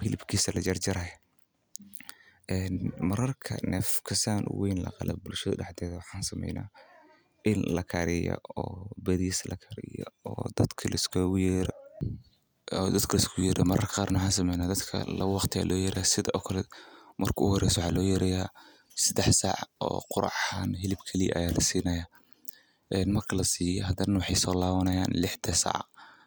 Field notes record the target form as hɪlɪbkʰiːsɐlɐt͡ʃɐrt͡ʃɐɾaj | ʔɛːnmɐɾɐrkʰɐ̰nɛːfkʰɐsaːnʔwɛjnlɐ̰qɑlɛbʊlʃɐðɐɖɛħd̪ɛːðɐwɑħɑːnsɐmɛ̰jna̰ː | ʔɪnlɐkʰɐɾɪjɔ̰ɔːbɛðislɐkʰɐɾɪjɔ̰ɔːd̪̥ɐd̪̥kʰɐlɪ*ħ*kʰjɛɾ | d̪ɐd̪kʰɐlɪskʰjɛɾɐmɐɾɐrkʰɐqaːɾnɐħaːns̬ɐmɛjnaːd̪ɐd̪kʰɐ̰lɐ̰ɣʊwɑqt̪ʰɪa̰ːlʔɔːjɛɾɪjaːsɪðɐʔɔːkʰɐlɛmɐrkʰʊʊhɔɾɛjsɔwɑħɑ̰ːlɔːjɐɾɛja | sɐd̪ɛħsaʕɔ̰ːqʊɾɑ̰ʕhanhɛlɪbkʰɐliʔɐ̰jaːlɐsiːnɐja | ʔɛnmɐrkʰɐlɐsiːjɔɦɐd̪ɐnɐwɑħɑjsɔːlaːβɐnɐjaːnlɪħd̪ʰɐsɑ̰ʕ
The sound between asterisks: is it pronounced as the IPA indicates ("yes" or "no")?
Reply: no